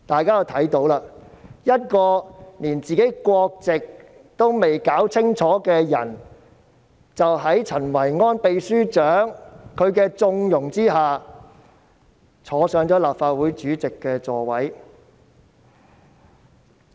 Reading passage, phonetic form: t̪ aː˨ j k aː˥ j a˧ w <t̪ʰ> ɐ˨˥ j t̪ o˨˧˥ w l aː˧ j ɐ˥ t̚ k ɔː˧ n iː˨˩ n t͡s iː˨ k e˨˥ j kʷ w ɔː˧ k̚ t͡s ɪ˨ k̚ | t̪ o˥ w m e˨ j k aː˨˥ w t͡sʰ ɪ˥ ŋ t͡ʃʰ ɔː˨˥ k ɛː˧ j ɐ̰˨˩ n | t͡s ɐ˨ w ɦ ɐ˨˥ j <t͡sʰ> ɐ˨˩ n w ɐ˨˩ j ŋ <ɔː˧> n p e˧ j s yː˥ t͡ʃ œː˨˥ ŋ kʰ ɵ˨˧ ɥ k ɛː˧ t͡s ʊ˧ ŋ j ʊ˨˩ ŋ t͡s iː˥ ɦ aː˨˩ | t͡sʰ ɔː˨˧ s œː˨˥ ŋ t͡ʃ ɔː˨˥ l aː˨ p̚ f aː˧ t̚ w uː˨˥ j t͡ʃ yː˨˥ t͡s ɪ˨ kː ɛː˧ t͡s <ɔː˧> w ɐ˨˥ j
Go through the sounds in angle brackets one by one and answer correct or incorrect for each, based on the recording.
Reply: correct, correct, incorrect, correct

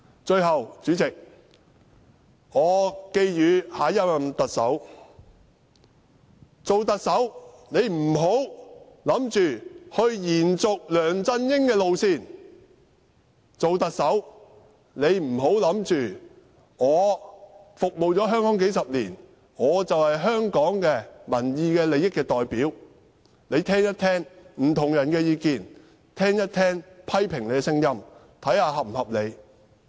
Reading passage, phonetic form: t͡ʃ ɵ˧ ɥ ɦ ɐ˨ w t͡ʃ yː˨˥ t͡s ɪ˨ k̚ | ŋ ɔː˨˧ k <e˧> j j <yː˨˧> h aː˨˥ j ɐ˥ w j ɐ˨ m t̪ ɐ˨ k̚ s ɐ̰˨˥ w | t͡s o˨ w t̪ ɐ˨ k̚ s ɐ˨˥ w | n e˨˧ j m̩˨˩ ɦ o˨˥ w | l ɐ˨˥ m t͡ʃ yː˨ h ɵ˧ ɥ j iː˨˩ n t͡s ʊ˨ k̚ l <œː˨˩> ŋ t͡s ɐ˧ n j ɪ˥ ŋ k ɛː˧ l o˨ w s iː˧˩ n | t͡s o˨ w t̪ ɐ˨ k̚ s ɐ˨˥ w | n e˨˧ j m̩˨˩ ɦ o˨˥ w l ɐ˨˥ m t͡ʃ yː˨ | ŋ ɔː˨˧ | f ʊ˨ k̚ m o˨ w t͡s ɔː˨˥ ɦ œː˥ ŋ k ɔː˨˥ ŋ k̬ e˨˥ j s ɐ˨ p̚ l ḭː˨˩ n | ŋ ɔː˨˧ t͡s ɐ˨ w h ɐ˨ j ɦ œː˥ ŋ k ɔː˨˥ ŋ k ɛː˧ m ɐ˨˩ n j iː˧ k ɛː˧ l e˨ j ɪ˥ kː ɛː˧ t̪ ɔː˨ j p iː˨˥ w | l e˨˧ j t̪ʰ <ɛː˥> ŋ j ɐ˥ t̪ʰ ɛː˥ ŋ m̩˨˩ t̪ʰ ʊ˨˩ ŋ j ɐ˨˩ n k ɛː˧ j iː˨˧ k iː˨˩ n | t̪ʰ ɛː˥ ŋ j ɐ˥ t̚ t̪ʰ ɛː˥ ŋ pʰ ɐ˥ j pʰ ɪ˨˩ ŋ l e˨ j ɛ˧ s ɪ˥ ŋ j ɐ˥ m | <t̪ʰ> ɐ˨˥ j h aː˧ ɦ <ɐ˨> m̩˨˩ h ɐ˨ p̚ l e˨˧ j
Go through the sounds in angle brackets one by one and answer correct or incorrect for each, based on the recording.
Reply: correct, correct, correct, correct, correct, correct

